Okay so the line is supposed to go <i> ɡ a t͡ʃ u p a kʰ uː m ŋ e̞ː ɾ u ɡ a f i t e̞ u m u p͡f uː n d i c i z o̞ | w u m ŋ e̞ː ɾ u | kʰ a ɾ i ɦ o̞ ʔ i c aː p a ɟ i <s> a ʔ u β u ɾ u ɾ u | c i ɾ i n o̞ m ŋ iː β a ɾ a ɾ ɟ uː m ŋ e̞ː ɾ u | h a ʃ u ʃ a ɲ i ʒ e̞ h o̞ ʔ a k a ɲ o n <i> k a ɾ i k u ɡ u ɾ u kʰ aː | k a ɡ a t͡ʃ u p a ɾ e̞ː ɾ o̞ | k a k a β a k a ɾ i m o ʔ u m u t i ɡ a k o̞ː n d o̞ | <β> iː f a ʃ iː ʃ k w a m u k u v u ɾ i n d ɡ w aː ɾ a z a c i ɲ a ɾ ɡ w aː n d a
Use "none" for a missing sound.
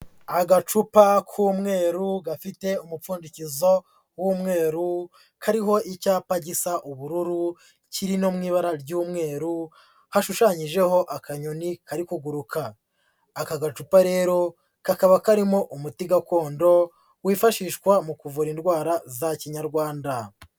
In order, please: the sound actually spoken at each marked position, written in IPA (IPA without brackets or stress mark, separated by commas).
a, s, i, w